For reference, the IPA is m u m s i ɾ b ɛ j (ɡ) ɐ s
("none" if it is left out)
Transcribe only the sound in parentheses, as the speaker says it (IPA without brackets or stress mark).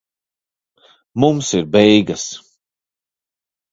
ɡ